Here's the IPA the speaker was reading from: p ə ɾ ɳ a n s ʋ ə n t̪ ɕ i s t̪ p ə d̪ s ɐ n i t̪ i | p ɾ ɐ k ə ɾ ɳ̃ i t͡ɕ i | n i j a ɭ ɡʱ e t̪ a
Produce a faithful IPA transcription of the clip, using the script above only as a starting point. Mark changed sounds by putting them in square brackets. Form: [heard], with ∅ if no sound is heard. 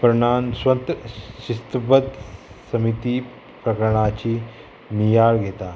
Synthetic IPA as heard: p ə ɾ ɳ a n s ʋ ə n t̪ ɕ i s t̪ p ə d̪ s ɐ [m] i t̪ i | p ɾ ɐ k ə ɾ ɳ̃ [a] t͡ɕ i | n i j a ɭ ɡʱ e t̪ a